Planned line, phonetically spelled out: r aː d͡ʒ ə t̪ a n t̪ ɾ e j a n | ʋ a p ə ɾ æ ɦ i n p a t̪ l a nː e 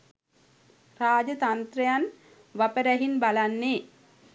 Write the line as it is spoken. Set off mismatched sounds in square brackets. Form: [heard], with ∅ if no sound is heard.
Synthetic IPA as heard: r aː d͡ʒ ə t̪ a n t̪ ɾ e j a n | ʋ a p ə ɾ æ ɦ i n [b] a [∅] l a nː e